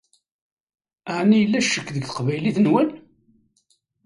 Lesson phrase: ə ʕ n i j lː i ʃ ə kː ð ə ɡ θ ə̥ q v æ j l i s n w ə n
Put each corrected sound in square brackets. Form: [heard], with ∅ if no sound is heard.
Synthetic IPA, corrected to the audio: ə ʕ n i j lː [æ] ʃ ə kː ð ə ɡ θ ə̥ q v æ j l i [θ] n w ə n